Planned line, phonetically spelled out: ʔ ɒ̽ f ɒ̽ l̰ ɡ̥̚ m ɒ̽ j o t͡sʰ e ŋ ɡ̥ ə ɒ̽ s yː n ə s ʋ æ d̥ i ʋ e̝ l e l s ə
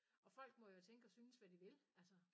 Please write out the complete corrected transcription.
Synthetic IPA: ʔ ɒ̽ f ɒ̽ l̰ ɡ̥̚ m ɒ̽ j o t͡sʰ e ŋ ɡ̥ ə ɒ̽ s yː n ə s ʋ æ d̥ i ʋ e̝ l æ l s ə

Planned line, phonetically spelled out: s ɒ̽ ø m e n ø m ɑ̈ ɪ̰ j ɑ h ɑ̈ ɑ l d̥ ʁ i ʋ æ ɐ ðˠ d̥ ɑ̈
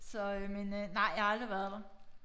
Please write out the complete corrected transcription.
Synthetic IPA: s ɒ̽ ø m e n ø n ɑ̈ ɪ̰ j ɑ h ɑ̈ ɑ l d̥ ʁ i ʋ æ ɐ ðˠ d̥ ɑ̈

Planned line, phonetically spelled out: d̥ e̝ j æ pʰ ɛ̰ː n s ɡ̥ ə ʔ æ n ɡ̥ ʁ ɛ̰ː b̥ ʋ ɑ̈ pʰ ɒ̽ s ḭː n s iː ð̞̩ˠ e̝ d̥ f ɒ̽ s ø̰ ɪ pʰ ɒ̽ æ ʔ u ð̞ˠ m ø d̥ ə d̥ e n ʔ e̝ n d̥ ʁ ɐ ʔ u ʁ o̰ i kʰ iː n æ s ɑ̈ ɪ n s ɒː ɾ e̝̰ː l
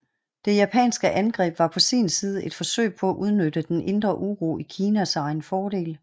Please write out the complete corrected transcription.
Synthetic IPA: d̥ e̝ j æ pʰ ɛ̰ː n s ɡ̥ ə ʔ æ n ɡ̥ ʁ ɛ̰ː b̥ ʋ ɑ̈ pʰ ɒ̽ s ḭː n s iː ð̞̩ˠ e̝ d̥ f ɒ̽ s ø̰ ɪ pʰ ɒ̽ æ ʔ u ð̞ˠ n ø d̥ ə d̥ e n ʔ e̝ n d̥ ʁ ɐ ʔ u ʁ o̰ i kʰ iː n æ s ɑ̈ ɪ n f ɒː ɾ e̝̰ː l

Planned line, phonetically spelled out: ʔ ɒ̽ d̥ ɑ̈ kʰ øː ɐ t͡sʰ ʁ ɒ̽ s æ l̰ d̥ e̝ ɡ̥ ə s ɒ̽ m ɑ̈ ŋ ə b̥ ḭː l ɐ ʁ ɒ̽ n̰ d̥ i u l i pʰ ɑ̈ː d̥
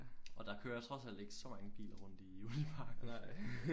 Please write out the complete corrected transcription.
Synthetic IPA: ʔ ɒ̽ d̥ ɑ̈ kʰ øː ɐ t͡sʰ ʁ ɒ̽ s æ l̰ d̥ e̝ ɡ̥ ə s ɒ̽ m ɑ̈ ŋ ə b̥ ḭː l ɐ ʁ ɔ̽ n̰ d̥ i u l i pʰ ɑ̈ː ɡ̥

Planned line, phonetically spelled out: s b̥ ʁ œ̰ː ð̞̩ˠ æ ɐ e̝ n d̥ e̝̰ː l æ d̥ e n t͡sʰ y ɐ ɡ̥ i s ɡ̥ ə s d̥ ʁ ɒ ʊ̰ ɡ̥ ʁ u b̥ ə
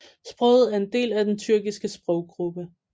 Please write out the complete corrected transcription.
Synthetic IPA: s b̥ ʁ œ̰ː ð̞̩ˠ æ ɐ e̝ n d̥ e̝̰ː l æ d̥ e n t͡sʰ y ɐ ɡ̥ i s ɡ̥ ə s b̥ ʁ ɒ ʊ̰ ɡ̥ ʁ u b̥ ə

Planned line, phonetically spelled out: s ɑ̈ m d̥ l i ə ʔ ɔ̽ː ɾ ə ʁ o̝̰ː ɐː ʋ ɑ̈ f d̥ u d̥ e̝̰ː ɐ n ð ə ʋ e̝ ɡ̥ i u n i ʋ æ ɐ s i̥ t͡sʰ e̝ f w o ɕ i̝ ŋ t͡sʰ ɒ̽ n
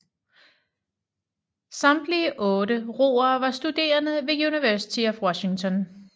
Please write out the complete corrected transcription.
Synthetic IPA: s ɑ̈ m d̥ l i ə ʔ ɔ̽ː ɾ ə ʁ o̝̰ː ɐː ʋ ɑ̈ s d̥ u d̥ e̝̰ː ɐ n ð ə ʋ e̝ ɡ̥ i u n i ʋ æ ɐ s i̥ t͡sʰ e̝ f w ɒ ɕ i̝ ŋ t͡sʰ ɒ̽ n

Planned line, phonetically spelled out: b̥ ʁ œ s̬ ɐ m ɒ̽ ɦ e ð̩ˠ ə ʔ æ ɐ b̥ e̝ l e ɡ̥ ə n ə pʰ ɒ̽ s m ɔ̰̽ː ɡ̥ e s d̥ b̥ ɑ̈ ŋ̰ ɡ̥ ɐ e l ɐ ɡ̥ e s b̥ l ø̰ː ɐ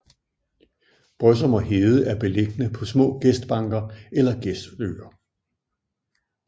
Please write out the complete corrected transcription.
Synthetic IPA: b̥ ʁ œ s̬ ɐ m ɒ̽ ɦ e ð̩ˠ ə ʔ æ ɐ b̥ e̝ l e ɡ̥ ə n ə pʰ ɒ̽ s m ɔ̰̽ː ɡ̥ e s d̥ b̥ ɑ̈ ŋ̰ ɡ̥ ɐ e l ɐ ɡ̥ e s d̥ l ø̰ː ɐ

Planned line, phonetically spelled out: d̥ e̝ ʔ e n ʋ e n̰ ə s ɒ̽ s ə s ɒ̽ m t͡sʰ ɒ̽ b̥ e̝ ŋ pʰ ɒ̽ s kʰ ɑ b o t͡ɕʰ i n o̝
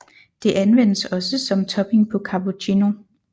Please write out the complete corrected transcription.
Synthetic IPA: d̥ e̝ ʔ æ n ʋ e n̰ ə s ɒ̽ s ə s ɒ̽ m t͡sʰ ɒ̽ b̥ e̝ ŋ pʰ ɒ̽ kʰ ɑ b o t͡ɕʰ i n o̝

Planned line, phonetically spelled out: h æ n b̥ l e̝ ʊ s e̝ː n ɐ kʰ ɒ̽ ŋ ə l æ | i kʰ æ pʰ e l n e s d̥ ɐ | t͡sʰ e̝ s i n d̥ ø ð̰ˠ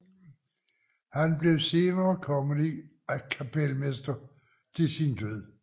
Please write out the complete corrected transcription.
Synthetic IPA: h æ n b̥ l e̝ ʊ s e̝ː n ɐː kʰ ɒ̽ ŋ ə l i | æ kʰ æ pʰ e l m e s d̥ ɐ | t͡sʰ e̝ s i n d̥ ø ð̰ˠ

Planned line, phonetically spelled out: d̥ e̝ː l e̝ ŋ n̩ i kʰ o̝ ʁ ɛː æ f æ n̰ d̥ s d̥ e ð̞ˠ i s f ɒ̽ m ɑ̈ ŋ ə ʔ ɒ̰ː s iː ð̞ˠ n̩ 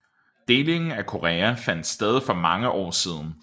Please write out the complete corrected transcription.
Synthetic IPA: d̥ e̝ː l e̝ ŋ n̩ æ kʰ o̝ ʁ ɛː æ f æ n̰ d̥ s d̥ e ð̞ˠ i f ɒ̽ m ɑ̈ ŋ ə ʔ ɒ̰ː s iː ð̞ˠ n̩

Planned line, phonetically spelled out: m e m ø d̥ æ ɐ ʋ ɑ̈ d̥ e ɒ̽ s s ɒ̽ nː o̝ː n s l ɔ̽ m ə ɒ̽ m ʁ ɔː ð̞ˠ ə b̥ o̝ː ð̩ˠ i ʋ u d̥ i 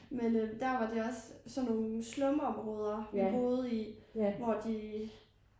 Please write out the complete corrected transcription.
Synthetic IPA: m e n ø d̥ æ ɐ ʋ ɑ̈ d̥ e ɒ̽ s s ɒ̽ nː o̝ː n s l ɔ̽ m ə ɒ̽ m ʁ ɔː ð̞ˠ ɐ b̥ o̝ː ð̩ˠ i ʋ ɒ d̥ i

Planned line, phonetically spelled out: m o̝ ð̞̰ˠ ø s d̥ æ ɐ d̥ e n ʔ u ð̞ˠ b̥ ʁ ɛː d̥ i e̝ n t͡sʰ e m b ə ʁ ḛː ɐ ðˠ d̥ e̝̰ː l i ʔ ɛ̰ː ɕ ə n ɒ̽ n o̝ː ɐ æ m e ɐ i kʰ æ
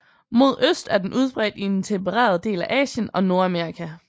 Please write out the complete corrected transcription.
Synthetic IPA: m o̝ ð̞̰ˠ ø s d̥ æ ɐ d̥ e n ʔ u ð̞ˠ b̥ ʁ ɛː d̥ i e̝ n t͡sʰ e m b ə ʁ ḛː ɐ ðˠ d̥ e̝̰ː l æ ʔ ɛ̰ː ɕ ə n ɒ̽ n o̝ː ɐ æ m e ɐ i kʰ æ

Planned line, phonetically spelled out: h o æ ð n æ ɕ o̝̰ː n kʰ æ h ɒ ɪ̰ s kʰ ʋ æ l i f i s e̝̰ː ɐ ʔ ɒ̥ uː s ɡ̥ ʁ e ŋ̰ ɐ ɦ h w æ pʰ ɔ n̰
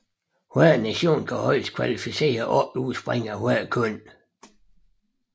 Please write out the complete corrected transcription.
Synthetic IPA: h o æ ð n æ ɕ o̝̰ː n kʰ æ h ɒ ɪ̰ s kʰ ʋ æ l i f i s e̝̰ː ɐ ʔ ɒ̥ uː s b̥ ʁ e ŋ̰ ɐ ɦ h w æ kʰ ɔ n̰

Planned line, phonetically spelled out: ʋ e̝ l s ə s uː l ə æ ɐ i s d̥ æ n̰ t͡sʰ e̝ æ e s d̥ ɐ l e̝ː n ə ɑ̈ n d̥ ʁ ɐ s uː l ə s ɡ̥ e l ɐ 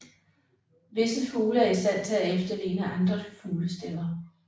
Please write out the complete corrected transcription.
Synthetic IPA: ʋ e̝ s ə f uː l ə æ ɐ i s d̥ æ n̰ t͡sʰ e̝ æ e f d̥ ɐ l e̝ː n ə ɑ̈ n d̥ ʁ ɐ f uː l ə s d̥ e l ɐ

